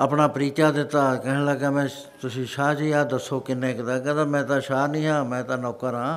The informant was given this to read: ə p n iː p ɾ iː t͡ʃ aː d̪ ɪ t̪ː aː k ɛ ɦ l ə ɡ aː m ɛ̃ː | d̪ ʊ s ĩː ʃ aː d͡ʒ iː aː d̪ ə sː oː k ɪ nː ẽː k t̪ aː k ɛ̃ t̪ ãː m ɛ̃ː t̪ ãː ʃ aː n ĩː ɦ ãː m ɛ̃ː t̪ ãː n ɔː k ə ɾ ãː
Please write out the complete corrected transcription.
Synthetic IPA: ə p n aː p ɾ iː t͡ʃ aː d̪ ɪ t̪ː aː k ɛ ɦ l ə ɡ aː m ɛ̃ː | t̪ ʊ s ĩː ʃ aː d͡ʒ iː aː d̪ ə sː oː k ɪ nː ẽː k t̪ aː k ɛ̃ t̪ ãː m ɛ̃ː t̪ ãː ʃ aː n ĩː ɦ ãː m ɛ̃ː t̪ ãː n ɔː k ə ɾ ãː